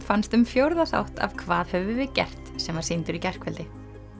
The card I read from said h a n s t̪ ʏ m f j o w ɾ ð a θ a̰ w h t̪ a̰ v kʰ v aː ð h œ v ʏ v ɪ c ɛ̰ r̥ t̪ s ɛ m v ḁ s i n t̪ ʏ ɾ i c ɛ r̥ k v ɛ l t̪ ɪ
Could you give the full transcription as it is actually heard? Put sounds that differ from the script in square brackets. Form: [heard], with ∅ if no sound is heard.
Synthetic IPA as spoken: [f] a n s t̪ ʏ m f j o w ɾ ð a θ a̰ w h t̪ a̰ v kʰ v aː ð h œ v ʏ v ɪ c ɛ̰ r̥ t̪ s ɛ m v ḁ s i n t̪ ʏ ɾ i c ɛ r̥ k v ɛ l t̪ ɪ